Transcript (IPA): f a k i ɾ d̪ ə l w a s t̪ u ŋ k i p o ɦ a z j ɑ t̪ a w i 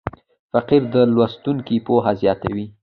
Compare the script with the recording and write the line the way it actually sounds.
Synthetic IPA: f a q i ɾ d̪ ə l w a s t̪ u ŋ k i p o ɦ a z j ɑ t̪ a w i